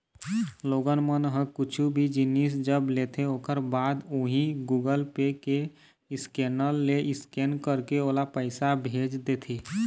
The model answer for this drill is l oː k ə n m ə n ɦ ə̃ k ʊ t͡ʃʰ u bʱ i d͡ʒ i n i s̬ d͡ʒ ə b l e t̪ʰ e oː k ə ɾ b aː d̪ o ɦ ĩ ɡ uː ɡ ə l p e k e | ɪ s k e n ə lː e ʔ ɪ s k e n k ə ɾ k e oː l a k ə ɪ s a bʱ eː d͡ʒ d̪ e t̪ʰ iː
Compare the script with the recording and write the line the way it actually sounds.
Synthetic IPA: l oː ɡ ə n m ə n ɦ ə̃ k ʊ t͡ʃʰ u bʱ i d͡ʒ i n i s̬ d͡ʒ ə b l e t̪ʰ e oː k ə ɾ b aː d̪ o ɦ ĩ ɡ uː ɡ ə l p e k e | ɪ s k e n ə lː e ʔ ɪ s k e n k ə ɾ k e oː l a p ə ɪ s a bʱ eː d͡ʒ d̪ e t̪ʰ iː

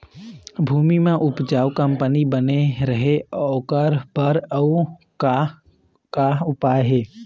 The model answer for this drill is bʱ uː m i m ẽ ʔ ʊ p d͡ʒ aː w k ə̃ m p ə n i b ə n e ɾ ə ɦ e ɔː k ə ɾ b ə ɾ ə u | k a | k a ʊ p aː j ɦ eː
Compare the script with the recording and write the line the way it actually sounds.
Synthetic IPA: bʱ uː m i m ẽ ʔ ʊ p d͡ʒ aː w k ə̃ m p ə n i b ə n e ɾ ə ɦ e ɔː k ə ɾ b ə ɾ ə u | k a | k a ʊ p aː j ɦ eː

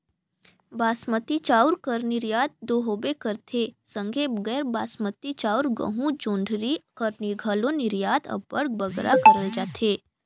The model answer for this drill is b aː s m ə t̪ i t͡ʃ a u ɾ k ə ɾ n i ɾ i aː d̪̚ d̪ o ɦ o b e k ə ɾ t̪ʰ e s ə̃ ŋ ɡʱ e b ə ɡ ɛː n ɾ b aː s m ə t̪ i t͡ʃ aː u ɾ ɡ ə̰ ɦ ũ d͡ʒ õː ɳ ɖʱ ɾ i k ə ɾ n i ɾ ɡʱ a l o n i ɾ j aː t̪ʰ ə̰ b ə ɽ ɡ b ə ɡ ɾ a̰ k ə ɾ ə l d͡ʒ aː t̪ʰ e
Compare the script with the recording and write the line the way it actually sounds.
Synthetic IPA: b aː s m ə t̪ i t͡ʃ a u ɾ k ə ɾ n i ɾ j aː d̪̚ d̪ o ɦ o b e k ə ɾ t̪ʰ e s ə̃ ŋ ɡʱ e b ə ɡ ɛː ɾ b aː s m ə t̪ i t͡ʃ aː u ɾ ɡ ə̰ ɦ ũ d͡ʒ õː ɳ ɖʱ ɾ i k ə ɾ n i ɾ ɡʱ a l o n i ɾ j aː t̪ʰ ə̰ b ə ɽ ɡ b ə ɡ ɾ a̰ k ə ɾ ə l d͡ʒ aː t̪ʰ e

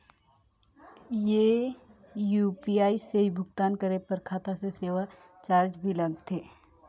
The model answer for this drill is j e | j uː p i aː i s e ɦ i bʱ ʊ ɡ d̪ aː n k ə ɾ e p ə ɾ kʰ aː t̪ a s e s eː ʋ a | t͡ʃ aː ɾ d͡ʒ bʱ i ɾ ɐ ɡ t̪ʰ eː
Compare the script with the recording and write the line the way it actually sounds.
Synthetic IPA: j e | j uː p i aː i s e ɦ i bʱ ʊ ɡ t̪ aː n k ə ɾ e p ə ɾ kʰ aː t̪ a s e s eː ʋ a | t͡ʃ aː ɾ d͡ʒ bʱ i l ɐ ɡ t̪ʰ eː

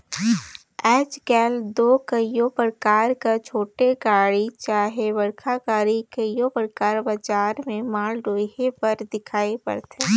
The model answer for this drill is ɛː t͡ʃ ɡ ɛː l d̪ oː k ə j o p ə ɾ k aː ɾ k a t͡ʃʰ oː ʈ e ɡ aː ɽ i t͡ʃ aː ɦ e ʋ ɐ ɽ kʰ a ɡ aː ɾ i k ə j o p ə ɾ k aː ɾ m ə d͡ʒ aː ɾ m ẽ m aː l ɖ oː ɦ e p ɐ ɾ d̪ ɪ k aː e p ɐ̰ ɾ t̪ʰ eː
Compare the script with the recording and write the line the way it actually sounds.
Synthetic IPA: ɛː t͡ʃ ɡ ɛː l d̪ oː k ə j o p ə ɾ k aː ɾ k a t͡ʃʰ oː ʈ e ɡ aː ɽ i t͡ʃ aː ɦ e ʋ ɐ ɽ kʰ a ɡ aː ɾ i k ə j o p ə ɾ k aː ɾ b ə d͡ʒ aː ɾ m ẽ m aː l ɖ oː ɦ e p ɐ ɾ d̪ ɪ kʰ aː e p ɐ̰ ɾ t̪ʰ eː

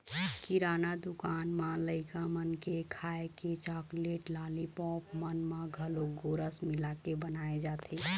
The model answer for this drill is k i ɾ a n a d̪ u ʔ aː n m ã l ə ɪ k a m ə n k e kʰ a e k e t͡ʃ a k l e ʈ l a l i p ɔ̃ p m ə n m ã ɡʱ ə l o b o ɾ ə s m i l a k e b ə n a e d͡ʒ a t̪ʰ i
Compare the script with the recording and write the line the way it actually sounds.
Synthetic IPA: k i ɾ a n a d̪ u k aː n m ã l ə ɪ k a m ə n k e kʰ a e k e t͡ʃ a k l e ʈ l a l i p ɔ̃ p m ə n m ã ɡʱ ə l o ɡ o ɾ ə s m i l a k e b ə n a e d͡ʒ a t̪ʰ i

